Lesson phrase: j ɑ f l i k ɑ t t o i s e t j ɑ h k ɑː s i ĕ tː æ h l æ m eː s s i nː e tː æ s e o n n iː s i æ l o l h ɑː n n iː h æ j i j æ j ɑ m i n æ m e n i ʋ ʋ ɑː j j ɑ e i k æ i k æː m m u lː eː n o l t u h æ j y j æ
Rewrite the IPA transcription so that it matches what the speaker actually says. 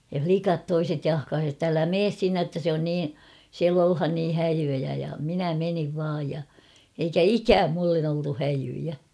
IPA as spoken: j ɑ f l i k ɑ t t o i s e t j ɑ h k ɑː s i ĕ tː æ l æ m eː s s i nː e tː æ s e o n n iː s i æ l o l h ɑ n n iː h æ j y j æ j ɑ m i n æ m e n i ʋ ʋ ɑː j j ɑ e i k æ i k æː m m u lː e n o l t u h æ j y j æ